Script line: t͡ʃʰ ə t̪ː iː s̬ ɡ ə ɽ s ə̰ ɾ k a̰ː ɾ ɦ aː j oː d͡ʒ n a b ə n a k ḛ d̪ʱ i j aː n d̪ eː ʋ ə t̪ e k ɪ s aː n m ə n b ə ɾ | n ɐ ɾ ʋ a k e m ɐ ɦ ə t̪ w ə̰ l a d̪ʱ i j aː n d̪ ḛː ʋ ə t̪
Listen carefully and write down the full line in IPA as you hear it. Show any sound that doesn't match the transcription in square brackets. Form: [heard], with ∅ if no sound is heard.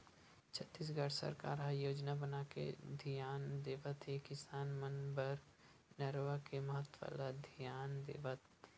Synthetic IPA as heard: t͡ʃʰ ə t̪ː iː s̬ ɡ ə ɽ s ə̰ ɾ k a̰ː ɾ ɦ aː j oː d͡ʒ n a b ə n a k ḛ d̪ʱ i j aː n d̪ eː ʋ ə t̪ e k ɪ s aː n m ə n b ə ɾ | n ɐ ɾ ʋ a k e m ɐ ɦ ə t̪ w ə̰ l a d̪ʱ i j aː n d̪ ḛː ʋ ə t̪